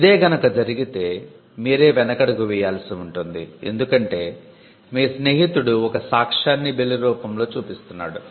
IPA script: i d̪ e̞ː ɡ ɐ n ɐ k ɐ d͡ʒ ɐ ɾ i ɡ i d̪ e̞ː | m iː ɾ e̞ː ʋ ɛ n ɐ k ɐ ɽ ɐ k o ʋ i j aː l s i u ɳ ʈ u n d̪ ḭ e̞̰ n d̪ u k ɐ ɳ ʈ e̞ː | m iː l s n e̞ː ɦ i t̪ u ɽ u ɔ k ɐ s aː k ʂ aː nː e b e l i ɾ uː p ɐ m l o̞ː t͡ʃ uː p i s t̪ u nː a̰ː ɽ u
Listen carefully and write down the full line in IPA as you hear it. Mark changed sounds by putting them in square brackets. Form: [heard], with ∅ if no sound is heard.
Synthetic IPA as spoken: i d̪ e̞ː ɡ ɐ n ɐ k ɐ d͡ʒ ɐ ɾ i ɡ i [t̪] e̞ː | m iː ɾ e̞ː ʋ ɛ n ɐ k ɐ ɽ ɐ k [u] ʋ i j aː l s i u ɳ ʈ u n d̪ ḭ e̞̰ n d̪ u k ɐ ɳ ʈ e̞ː | m iː [∅] s n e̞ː ɦ i t̪ u ɽ u ɔ k ɐ s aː k ʂ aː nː [i] b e l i ɾ uː p ɐ m l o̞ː t͡ʃ uː p i s t̪ u nː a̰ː ɽ u